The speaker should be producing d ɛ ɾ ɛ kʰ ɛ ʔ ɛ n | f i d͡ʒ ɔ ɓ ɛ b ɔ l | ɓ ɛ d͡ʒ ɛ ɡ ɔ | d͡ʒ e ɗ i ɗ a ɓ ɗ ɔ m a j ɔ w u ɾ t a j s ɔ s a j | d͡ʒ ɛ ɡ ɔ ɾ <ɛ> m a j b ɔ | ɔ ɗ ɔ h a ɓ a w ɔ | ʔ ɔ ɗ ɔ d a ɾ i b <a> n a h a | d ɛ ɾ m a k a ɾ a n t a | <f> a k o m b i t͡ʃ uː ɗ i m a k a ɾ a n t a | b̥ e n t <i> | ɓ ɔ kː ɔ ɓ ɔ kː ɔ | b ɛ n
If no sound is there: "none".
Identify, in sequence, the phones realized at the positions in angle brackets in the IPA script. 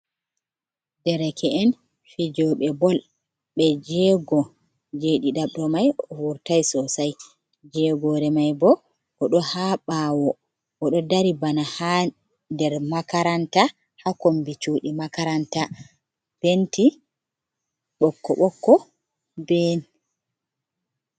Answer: ɛ, a, h, i

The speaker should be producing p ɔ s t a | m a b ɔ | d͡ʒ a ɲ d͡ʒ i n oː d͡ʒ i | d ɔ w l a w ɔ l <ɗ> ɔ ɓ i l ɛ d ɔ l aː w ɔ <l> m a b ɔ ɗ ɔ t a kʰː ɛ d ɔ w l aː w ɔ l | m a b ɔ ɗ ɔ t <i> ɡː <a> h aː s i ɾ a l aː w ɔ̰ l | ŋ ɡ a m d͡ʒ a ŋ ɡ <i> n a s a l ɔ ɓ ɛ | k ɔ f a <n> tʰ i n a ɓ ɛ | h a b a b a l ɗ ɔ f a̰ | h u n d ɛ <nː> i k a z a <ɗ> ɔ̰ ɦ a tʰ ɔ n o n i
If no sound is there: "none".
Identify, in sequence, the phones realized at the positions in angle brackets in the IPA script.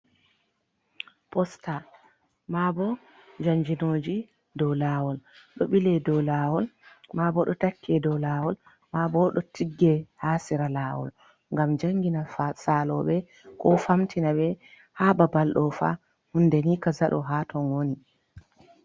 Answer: ɗ, l, i, ɛ, i, m, n, ɗ

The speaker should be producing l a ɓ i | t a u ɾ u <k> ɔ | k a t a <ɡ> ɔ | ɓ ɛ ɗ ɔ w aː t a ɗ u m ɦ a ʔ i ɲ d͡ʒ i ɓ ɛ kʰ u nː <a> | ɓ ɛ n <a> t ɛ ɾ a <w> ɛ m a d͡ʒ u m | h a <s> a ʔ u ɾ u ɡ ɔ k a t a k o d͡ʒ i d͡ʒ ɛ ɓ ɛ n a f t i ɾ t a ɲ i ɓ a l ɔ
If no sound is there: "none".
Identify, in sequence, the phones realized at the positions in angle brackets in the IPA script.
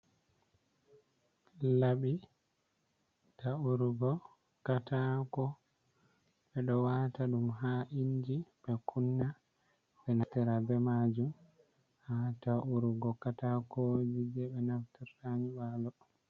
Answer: ɡ, k, a, a, b, t

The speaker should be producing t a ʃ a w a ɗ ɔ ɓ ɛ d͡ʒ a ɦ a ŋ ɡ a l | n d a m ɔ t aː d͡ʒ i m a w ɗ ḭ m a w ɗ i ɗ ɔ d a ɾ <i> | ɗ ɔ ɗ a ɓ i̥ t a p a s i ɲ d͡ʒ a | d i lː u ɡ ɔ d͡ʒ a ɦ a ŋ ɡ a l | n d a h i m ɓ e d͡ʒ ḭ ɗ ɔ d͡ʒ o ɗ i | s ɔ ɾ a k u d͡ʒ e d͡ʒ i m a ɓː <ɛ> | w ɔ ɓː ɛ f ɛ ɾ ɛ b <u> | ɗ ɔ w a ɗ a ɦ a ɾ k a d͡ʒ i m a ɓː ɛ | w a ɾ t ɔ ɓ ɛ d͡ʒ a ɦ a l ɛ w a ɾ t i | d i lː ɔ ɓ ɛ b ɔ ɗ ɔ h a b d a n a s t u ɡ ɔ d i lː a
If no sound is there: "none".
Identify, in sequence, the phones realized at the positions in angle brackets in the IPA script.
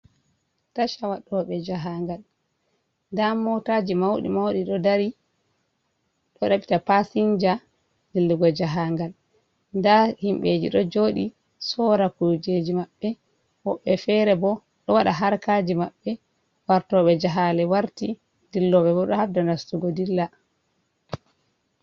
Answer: i, ɛ, ɔ

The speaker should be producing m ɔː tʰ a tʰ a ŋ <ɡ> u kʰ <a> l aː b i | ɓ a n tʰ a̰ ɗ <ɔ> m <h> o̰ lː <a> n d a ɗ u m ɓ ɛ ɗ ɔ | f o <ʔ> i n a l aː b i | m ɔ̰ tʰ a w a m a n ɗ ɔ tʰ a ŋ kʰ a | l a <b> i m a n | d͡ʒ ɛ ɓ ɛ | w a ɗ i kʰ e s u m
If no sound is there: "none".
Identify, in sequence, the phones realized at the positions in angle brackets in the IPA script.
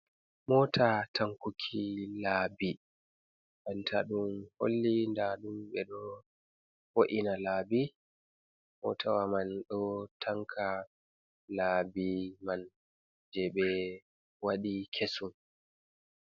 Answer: k, i, u, h, i, ʔ, b

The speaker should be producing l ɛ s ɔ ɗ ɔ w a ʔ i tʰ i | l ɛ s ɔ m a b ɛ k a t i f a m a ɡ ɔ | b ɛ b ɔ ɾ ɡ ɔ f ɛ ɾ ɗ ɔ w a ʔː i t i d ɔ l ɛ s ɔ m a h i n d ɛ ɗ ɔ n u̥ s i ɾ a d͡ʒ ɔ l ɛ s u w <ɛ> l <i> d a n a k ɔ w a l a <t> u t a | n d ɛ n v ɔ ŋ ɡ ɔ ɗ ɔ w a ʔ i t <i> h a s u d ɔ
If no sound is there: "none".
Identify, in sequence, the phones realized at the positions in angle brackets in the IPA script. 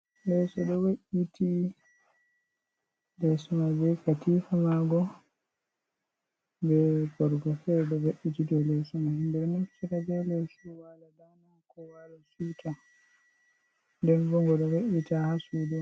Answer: a, a, s, a

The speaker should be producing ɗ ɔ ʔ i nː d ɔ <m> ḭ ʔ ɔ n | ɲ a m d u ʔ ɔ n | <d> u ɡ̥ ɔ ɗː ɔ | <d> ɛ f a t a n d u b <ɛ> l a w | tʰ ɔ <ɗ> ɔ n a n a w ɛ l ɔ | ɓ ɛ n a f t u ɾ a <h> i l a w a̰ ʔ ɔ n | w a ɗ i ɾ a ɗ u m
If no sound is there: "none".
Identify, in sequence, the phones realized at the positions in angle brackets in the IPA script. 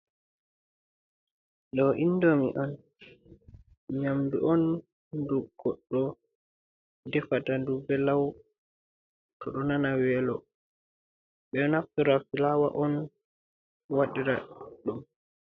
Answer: m, d, d, ɛ, ɗ, f

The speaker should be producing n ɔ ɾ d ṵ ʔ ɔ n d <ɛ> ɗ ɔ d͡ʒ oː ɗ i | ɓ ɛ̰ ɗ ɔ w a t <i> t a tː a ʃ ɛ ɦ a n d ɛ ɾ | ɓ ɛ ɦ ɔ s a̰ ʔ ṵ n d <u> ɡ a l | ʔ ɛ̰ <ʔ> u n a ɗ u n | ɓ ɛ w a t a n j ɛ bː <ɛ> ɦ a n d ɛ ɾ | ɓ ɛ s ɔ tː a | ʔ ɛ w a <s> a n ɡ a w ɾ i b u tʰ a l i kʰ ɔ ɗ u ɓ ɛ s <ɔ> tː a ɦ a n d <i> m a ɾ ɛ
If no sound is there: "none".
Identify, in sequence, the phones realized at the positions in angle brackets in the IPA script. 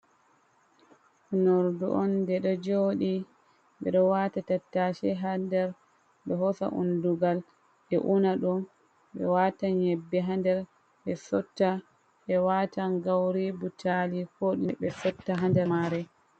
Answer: ɛ, a, u, ʔ, ɛ, t, ɔ, ɛ

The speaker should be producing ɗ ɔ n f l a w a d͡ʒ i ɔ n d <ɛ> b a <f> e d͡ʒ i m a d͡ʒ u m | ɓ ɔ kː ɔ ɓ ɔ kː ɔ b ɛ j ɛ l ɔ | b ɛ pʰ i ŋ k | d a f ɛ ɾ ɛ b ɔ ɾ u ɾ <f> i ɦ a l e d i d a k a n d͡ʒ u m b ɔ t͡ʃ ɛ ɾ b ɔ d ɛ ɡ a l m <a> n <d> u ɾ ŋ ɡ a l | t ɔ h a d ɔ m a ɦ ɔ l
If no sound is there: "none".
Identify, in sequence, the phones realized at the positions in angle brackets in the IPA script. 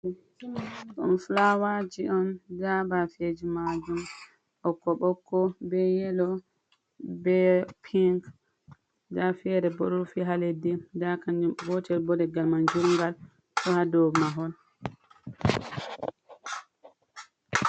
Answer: a, f, f, a, d͡ʒ

